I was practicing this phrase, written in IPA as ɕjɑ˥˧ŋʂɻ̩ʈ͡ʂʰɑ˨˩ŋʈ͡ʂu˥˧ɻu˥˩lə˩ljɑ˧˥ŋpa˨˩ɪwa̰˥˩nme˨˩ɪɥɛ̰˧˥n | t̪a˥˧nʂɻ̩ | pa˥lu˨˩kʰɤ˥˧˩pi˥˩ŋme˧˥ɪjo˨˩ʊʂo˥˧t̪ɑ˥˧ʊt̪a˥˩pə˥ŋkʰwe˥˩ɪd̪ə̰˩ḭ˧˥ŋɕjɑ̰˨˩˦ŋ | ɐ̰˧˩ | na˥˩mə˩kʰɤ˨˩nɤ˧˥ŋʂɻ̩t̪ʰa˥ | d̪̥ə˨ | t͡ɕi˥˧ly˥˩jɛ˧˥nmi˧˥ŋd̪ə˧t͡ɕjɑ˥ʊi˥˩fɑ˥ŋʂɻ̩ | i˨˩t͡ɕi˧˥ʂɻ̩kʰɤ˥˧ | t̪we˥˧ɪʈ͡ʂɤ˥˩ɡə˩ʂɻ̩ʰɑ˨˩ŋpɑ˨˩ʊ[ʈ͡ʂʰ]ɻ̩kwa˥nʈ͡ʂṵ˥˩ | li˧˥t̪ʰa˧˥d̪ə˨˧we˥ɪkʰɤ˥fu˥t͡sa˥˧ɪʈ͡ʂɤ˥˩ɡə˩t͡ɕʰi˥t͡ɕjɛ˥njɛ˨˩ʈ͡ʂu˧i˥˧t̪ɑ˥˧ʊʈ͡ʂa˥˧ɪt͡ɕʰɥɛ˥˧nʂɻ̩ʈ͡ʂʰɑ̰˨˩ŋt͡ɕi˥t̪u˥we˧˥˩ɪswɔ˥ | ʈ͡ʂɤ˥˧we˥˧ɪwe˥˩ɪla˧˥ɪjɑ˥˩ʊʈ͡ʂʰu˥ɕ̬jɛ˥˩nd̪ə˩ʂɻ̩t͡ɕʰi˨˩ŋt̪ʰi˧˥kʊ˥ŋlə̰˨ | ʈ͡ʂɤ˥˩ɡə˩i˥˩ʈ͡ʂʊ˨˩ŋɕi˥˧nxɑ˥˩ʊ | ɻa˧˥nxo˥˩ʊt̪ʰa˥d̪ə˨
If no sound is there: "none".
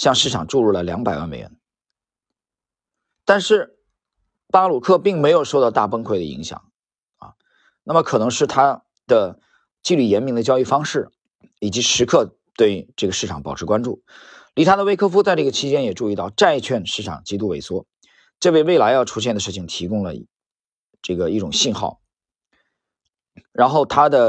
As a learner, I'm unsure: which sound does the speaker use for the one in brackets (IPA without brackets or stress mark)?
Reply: ʈ͡ʂʰ